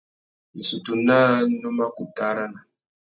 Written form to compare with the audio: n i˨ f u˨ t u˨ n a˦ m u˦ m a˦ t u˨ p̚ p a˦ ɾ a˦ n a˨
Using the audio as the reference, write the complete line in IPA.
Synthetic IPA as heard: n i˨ s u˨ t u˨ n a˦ n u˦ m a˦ k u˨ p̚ t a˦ ɾ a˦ n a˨